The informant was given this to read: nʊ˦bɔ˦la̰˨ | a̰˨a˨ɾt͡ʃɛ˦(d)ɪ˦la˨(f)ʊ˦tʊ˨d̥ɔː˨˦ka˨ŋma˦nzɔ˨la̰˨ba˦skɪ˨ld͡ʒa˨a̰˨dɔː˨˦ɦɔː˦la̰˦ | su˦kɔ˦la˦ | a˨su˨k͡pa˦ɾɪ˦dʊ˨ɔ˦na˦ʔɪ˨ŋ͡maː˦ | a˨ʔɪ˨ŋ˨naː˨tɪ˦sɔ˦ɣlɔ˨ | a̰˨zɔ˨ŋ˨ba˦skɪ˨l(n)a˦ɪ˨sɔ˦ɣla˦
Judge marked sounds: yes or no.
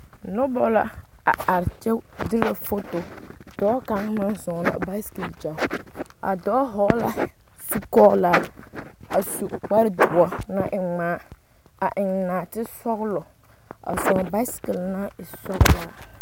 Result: yes, yes, yes

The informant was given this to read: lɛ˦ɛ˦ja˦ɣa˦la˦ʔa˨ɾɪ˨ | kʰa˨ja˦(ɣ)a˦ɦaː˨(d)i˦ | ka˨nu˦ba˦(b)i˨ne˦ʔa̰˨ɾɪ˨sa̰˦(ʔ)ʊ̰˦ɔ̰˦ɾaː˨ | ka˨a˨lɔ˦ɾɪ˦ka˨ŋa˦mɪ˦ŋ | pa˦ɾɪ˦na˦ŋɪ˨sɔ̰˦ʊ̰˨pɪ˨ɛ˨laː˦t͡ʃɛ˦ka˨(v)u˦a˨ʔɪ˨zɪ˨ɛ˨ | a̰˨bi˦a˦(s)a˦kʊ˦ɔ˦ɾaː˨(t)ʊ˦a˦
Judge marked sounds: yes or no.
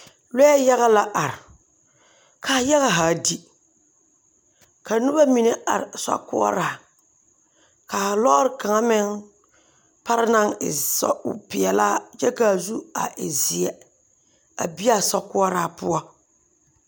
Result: yes, yes, no, no, no, yes, no

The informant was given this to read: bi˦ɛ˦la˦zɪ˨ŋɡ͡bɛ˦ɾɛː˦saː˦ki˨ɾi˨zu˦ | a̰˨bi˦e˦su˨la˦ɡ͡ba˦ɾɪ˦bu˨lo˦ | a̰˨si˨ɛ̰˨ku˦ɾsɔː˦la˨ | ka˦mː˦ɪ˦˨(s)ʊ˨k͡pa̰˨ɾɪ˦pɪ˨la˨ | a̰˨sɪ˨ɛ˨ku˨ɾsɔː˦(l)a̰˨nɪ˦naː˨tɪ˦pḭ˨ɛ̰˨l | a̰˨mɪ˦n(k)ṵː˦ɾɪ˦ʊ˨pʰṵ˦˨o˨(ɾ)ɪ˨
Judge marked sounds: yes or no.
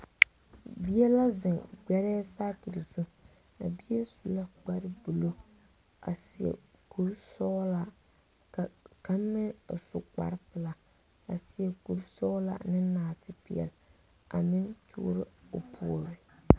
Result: yes, yes, no, yes

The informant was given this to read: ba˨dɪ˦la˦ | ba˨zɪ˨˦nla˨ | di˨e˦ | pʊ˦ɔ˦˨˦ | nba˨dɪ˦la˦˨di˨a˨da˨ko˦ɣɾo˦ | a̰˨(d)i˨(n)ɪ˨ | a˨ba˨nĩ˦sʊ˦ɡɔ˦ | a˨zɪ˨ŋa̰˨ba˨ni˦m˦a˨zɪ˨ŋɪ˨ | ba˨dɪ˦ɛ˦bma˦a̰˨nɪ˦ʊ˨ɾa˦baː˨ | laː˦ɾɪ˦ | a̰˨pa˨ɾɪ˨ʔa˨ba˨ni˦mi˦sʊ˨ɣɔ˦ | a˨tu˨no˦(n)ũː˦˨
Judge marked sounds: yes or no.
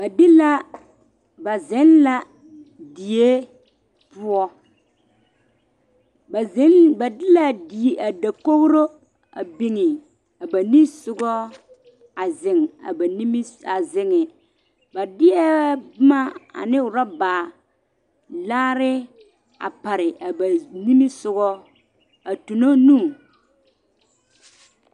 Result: no, no, yes

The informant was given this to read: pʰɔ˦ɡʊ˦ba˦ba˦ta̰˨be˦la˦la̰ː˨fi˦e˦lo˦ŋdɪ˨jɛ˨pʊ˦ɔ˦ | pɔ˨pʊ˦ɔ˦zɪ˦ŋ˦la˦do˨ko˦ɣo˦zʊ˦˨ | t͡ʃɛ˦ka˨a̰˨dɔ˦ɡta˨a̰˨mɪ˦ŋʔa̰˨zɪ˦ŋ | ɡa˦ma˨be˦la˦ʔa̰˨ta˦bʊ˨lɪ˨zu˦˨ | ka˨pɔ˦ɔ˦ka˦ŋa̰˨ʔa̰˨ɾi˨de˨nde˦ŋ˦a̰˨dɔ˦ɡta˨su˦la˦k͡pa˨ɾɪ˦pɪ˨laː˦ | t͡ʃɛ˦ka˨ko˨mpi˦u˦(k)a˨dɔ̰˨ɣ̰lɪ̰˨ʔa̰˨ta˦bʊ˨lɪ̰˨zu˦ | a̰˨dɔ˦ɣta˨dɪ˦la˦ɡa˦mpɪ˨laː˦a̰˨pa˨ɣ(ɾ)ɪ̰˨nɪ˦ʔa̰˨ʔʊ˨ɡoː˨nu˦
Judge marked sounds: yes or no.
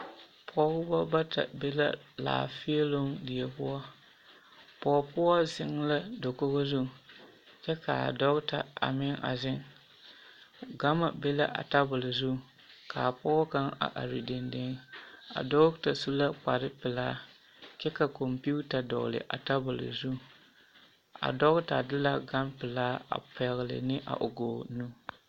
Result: no, no

